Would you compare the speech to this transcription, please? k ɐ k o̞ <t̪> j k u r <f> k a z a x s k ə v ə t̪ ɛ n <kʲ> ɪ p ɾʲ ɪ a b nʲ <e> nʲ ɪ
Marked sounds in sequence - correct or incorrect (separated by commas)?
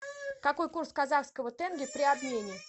incorrect, incorrect, incorrect, correct